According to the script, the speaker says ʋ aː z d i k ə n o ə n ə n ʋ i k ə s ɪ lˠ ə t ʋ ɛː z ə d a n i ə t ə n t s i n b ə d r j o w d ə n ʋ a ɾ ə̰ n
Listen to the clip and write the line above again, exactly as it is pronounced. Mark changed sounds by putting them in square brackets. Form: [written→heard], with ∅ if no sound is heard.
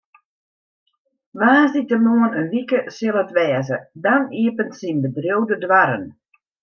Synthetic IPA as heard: ʋ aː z d i [k→t] ə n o ə n ə n ʋ i k ə s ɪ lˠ ə t ʋ ɛː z ə d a n i ə [t→p] ə n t s i n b ə d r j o w d ə [n→d] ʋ a ɾ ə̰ n